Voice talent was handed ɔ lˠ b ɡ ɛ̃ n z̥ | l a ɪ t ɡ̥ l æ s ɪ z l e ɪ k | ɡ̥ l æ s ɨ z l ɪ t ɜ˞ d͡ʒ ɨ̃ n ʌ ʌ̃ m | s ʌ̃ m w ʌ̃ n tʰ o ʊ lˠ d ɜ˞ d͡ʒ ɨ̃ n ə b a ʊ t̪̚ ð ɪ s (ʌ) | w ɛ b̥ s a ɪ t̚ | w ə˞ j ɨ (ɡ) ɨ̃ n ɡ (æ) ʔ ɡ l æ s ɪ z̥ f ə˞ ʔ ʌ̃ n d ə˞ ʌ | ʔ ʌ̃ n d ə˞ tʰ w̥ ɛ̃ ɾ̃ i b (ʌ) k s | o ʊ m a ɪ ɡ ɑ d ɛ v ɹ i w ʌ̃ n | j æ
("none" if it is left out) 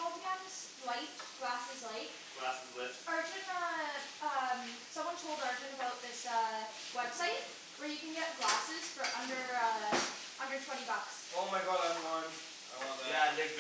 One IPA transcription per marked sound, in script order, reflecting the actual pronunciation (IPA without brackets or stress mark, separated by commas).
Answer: ʌ, k, ɛ, ʌ